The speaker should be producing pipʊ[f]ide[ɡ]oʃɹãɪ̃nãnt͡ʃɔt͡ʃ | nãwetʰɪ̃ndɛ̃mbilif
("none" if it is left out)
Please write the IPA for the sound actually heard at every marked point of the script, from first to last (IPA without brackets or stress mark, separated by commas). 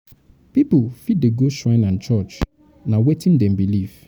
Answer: f, ɡ